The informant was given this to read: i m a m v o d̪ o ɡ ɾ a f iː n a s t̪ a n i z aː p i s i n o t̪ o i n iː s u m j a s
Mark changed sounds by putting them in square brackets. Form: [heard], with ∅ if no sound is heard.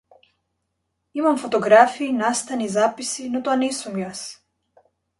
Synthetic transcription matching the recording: i m a m [f] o [t̪] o ɡ ɾ a f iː n a s t̪ a n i z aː p i s i n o t̪ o [a] n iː s u m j a s

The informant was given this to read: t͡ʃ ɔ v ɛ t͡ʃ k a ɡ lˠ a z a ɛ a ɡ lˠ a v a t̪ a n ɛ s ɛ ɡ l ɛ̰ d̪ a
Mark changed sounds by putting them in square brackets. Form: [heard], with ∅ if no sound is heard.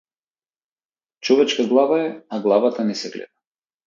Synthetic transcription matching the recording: t͡ʃ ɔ v ɛ t͡ʃ k a ɡ lˠ a [v] a ɛ a ɡ lˠ a v a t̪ a n ɛ s ɛ ɡ l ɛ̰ d̪ a

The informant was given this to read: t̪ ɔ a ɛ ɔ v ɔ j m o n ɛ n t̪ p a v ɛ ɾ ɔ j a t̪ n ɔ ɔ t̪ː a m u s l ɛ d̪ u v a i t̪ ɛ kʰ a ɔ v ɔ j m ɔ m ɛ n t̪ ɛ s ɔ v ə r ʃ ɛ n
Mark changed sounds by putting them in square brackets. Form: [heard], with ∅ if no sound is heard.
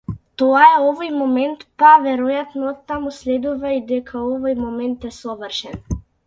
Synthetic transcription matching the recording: t̪ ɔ a ɛ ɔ v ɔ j m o [m] ɛ n t̪ p a v ɛ ɾ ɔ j a t̪ n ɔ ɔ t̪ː a m u s l ɛ d̪ u v a i [d̪] ɛ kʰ a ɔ v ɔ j m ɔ m ɛ n t̪ ɛ s ɔ v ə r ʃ ɛ n

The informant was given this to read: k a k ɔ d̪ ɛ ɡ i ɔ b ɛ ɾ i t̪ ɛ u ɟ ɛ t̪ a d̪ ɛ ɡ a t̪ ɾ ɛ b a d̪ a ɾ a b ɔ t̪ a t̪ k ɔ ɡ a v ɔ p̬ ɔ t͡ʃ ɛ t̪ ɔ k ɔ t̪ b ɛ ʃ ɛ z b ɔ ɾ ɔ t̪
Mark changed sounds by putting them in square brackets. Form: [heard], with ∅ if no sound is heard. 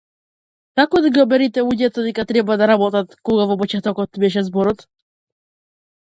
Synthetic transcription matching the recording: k a k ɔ d̪ [a] ɡ i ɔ b ɛ ɾ i t̪ ɛ u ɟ ɛ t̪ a d̪ ɛ [k] a t̪ ɾ ɛ b a d̪ a ɾ a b ɔ t̪ a t̪ k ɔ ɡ a v ɔ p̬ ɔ t͡ʃ ɛ t̪ ɔ k ɔ t̪ b ɛ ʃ ɛ z b ɔ ɾ ɔ t̪

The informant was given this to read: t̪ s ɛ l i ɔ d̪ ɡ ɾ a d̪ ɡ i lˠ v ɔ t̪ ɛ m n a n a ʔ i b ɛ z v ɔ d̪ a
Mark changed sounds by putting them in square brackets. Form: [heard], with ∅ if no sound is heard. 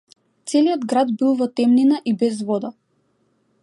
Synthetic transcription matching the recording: t̪ s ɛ l i ɔ d̪ ɡ ɾ a d̪ [b] i lˠ v ɔ t̪ ɛ m n [i] n a ʔ i b ɛ z v ɔ d̪ a

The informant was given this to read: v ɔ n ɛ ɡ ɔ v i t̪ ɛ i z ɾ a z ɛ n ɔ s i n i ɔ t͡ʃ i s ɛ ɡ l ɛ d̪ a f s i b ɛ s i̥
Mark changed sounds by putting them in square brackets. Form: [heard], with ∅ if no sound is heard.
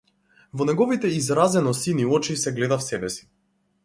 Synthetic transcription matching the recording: v ɔ n ɛ ɡ ɔ v i t̪ ɛ i z ɾ a z ɛ n ɔ s i n i ɔ t͡ʃ i s ɛ ɡ l ɛ d̪ a f s [ɛ] b ɛ s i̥

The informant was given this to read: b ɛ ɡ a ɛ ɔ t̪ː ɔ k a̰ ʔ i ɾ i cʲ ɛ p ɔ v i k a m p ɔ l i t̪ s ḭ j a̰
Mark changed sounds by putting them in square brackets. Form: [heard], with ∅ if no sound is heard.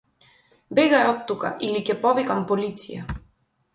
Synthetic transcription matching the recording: b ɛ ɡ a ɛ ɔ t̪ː [u] k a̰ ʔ i [l] i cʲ ɛ p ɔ v i k a m p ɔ l i t̪ s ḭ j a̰

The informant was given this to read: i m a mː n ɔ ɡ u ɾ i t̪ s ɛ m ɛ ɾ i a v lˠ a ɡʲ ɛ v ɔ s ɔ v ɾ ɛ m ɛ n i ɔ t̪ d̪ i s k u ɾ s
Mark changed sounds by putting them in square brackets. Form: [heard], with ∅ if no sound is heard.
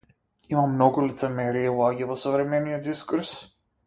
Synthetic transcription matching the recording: i m a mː n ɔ ɡ u [l] i t̪ s ɛ m ɛ ɾ i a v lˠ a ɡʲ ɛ v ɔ s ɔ v ɾ ɛ m ɛ n i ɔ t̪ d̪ i s k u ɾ s

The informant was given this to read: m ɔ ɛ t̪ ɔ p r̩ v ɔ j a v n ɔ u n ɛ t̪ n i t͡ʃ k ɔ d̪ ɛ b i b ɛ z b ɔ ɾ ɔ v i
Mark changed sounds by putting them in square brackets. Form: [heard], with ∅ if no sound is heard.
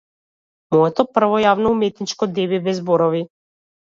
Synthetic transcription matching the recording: m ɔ ɛ t̪ ɔ p r̩ v ɔ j a v n ɔ u [m] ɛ t̪ n i t͡ʃ k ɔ d̪ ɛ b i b ɛ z b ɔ ɾ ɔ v i

